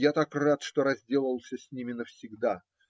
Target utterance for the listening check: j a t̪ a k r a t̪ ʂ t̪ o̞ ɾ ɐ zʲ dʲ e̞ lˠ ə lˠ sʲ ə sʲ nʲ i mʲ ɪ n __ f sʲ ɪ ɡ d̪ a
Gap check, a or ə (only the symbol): ə